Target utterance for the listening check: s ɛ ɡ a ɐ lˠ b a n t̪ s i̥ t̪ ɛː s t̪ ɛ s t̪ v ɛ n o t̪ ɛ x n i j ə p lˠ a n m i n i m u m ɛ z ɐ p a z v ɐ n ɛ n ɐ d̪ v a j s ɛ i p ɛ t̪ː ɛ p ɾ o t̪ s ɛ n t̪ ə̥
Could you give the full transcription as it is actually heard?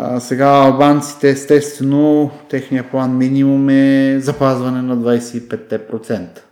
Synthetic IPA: s ɛ ɡ a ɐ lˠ b a n t̪ s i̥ t̪ ɛː s t̪ ɛ s t̪ v ɛ n o t̪ ɛ x n i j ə p lˠ a n m i n i m u m ɛ z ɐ p a z v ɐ n ɛ n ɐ d̪ v a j s ɛ i p ɛ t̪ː ɛ p ɾ o t̪ s ɛ n t̪ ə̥